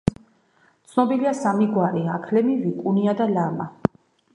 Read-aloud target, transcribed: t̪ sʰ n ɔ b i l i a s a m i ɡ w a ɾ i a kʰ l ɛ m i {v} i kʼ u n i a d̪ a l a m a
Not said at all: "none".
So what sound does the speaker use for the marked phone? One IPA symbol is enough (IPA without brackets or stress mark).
v